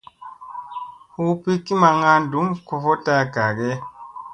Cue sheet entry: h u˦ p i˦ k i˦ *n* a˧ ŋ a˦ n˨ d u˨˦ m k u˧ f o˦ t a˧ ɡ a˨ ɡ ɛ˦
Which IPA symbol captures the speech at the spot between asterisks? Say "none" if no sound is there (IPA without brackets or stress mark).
m